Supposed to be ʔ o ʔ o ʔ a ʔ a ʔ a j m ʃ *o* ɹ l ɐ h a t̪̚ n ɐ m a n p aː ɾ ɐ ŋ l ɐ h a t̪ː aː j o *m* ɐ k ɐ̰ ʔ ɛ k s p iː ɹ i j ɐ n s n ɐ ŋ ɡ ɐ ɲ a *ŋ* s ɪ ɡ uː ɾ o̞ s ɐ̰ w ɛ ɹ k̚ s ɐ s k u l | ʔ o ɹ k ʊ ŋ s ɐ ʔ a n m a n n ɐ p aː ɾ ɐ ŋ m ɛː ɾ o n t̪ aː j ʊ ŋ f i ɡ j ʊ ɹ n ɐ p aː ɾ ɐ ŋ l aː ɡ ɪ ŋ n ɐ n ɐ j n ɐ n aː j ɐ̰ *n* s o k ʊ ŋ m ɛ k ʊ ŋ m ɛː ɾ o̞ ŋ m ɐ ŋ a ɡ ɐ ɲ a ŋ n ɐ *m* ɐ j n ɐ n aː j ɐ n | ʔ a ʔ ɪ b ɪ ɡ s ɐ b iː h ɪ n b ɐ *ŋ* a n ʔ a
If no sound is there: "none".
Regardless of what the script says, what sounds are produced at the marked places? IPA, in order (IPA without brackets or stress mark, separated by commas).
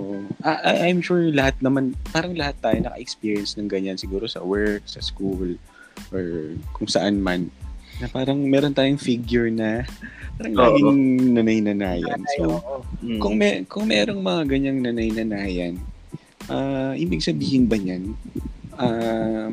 u, n, n, n, n, ɲ